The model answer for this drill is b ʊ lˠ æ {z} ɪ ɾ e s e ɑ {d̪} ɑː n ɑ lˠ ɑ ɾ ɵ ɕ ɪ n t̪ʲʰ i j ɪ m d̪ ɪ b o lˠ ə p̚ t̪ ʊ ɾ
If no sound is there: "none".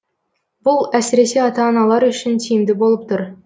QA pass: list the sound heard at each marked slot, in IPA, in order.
s, t̪

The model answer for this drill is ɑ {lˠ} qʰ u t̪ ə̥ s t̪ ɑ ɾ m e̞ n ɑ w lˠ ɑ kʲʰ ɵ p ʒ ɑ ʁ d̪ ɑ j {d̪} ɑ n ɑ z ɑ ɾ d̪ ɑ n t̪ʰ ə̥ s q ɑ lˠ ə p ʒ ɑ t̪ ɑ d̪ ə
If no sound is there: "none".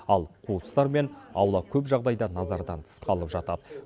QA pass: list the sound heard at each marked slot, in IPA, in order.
lˠ, d̪

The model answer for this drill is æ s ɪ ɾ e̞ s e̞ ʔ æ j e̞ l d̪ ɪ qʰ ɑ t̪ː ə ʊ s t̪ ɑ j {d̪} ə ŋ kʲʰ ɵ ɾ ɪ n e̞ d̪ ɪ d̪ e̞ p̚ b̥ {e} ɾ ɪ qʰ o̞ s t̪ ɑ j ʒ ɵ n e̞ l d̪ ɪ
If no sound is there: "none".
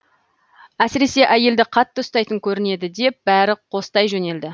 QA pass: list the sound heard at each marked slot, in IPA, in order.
t̪, æ

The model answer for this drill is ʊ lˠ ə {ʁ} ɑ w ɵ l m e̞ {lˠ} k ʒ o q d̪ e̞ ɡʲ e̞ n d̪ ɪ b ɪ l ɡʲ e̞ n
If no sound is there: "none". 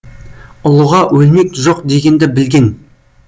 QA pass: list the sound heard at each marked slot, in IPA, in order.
ʁ, none

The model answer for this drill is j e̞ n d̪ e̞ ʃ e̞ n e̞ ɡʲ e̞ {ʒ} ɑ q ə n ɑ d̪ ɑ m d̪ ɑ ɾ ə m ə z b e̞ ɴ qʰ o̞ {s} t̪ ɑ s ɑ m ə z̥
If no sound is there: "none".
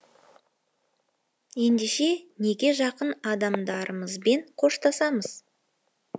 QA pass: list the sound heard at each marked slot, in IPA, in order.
ʒ, ʃ

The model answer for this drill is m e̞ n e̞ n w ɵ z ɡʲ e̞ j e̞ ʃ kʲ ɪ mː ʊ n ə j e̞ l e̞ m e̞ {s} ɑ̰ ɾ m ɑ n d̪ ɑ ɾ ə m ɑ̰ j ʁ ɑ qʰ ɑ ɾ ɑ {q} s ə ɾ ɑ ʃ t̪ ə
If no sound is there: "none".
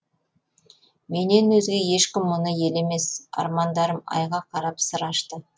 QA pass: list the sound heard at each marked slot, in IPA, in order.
s, p

